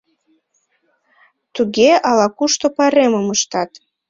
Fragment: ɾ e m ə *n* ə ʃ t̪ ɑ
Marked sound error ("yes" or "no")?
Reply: yes